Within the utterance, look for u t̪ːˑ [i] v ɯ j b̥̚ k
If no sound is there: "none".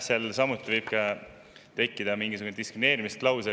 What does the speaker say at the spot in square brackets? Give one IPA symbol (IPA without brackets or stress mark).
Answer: i